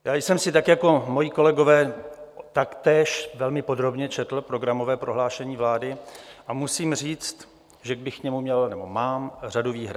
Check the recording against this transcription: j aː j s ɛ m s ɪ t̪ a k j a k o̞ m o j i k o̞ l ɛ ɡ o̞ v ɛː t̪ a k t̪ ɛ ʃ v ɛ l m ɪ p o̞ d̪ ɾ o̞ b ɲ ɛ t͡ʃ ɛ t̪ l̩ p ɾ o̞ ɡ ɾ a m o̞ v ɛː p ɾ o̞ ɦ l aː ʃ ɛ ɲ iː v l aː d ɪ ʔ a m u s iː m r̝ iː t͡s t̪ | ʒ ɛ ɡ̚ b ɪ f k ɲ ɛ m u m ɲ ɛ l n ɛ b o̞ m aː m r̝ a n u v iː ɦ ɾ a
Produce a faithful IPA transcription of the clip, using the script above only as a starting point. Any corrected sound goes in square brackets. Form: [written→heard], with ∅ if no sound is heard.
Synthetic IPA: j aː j s ɛ m s ɪ t̪ a k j a k o̞ m o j i k o̞ l ɛ ɡ o̞ v ɛː t̪ a k t̪ [ɛ→ɛː] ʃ v ɛ l m ɪ p o̞ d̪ ɾ o̞ b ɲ ɛ t͡ʃ ɛ t̪ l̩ p ɾ o̞ ɡ ɾ a m o̞ v ɛː p ɾ o̞ ɦ l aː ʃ ɛ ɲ iː v l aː d ɪ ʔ a m u s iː m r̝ iː t͡s t̪ | ʒ ɛ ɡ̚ b ɪ [f→x] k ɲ ɛ m u m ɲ ɛ l n ɛ b o̞ m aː m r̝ a [n→d] u v iː ɦ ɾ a